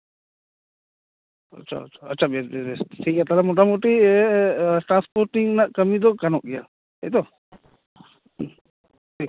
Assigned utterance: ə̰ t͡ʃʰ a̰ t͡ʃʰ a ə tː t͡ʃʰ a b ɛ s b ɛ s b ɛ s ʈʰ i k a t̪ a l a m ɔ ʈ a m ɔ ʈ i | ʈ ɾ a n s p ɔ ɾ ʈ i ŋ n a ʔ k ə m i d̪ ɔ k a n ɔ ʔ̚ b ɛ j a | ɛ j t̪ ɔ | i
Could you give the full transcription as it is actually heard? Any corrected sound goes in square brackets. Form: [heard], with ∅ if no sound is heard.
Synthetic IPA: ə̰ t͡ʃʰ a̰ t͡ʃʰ a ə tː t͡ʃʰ a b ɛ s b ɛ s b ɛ s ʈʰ i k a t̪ a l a m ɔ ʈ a m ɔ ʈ i | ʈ ɾ a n s p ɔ ɾ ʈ i ŋ n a ʔ k ə m i d̪ ɔ k a n ɔ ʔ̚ [ɡ] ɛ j a | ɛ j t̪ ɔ | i